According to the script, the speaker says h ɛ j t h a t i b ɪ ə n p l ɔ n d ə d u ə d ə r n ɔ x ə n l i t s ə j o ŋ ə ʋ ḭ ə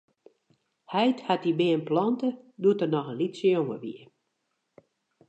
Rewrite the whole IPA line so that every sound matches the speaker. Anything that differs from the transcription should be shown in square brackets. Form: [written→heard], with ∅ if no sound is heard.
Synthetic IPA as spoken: h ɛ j t h a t i b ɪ ə n p l ɔ n [d→t] ə d u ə [d→t] ə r n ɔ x ə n l i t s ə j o ŋ ə ʋ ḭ ə